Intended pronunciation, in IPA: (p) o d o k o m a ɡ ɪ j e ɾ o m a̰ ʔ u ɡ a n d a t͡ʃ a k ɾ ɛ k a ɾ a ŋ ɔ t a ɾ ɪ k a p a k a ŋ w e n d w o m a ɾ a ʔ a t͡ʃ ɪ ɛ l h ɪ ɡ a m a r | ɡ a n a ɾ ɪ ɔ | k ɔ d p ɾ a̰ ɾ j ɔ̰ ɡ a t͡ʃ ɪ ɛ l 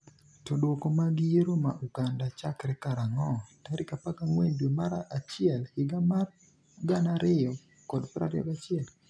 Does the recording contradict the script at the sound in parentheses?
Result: yes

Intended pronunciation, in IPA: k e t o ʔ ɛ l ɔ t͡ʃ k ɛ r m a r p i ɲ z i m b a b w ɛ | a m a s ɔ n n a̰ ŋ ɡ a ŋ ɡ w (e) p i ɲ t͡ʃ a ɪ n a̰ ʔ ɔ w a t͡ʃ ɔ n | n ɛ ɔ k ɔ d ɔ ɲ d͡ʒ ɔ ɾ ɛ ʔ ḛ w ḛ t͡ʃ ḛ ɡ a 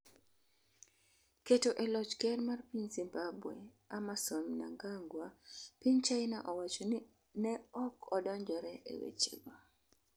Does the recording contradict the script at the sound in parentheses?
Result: yes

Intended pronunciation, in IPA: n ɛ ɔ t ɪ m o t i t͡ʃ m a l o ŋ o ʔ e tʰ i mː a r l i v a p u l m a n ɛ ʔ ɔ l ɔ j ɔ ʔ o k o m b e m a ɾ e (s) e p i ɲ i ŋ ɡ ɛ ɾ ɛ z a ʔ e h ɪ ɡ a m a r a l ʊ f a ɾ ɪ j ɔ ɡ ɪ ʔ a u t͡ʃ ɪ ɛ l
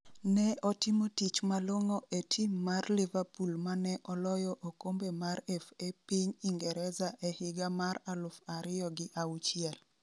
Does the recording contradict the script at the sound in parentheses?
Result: yes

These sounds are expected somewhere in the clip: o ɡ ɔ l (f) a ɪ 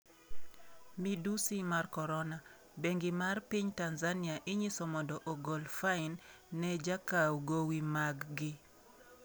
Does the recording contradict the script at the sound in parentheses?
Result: no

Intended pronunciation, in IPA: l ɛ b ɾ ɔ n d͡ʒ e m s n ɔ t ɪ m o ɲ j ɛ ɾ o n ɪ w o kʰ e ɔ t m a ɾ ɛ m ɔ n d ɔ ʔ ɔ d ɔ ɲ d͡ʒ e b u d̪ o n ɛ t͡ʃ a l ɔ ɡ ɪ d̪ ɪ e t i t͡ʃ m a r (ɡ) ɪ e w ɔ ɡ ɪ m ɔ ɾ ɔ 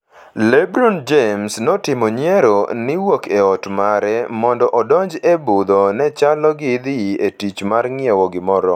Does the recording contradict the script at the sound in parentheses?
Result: yes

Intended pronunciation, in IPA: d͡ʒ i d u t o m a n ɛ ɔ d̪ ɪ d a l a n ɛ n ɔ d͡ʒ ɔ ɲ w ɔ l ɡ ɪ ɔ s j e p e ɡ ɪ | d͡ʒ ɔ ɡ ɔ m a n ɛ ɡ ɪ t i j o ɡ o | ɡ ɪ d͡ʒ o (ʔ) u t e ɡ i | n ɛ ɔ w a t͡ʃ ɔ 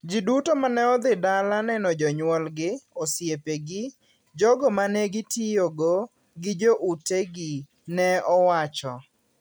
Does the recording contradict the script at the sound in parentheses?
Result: no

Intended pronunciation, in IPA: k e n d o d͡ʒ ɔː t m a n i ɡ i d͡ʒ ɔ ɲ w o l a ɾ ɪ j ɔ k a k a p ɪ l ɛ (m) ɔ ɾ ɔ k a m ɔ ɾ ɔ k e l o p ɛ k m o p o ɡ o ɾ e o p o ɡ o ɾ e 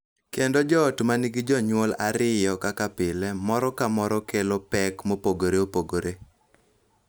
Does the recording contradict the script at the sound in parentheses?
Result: no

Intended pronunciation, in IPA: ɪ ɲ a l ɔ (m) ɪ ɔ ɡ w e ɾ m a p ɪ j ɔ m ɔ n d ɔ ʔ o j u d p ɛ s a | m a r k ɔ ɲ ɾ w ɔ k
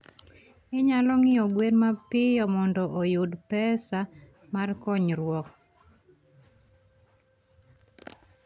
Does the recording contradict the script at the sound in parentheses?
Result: yes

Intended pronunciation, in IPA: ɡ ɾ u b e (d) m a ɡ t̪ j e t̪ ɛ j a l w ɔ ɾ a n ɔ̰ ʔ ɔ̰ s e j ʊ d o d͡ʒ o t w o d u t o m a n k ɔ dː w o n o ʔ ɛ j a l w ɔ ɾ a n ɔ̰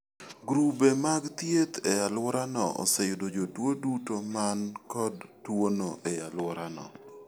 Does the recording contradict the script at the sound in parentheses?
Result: yes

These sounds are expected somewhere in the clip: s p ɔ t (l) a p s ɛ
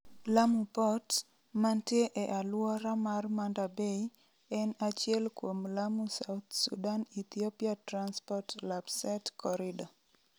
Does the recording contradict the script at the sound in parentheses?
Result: no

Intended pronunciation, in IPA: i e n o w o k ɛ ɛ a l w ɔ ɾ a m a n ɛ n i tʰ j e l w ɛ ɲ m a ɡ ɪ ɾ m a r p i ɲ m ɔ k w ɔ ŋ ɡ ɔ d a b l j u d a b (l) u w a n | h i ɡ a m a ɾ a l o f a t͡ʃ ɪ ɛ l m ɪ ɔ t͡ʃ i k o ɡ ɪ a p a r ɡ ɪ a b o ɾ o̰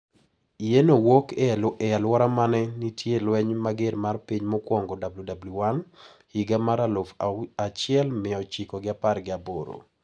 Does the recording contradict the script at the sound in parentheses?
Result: no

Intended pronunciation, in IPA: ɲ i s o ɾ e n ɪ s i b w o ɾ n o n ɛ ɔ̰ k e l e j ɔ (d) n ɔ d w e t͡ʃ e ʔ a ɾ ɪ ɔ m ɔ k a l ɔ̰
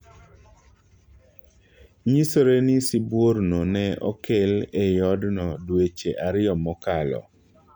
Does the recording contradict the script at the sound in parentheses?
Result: no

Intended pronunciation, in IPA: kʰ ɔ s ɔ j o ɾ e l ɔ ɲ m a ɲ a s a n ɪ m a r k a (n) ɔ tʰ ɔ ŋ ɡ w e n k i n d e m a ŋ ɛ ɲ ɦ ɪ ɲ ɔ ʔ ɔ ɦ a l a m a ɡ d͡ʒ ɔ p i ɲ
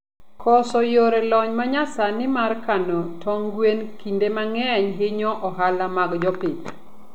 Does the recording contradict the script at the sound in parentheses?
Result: no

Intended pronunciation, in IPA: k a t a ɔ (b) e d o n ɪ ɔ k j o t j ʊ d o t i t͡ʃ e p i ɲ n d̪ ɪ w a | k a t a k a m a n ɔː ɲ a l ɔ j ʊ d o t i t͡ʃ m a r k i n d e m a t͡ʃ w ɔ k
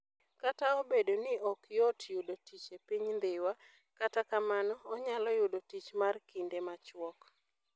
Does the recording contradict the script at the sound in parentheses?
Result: no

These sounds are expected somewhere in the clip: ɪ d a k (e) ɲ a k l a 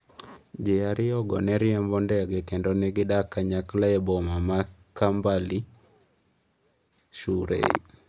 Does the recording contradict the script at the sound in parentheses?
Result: yes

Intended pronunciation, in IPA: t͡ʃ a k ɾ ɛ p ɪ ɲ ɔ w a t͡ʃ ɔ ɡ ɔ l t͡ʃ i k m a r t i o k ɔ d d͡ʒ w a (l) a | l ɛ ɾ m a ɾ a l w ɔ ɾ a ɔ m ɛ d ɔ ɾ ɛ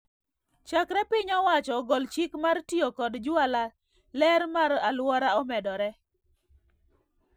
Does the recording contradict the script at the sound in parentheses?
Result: no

